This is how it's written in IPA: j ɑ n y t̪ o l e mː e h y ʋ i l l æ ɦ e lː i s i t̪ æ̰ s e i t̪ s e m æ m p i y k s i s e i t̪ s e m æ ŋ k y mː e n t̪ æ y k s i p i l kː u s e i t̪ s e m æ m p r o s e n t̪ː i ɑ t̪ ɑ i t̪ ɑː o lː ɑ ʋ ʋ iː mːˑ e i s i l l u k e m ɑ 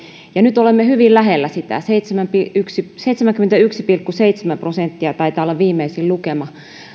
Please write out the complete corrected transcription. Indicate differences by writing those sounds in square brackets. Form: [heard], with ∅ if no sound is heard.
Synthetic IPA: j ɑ n y t̪ o l e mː e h y ʋ i l l æ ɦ e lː [æ] s i t̪ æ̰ s e i t̪ s e m æ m p i y k s i s e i t̪ s e m æ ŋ k y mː e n t̪ æ y k s i p i l kː u s e i t̪ s e m æ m p r o s e n t̪ː i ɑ t̪ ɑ i t̪ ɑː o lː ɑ ʋ ʋ iː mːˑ e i s i l l u k e m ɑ